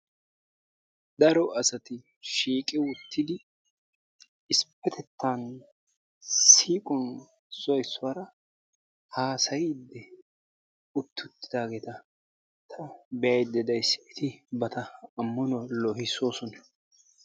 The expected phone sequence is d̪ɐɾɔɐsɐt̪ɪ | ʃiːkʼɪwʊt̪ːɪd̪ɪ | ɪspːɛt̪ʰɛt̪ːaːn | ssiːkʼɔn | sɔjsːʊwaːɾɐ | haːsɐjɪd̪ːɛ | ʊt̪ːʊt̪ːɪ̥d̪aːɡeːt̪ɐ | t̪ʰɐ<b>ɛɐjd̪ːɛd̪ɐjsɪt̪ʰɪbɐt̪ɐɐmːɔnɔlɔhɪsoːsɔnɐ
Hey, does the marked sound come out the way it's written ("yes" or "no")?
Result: yes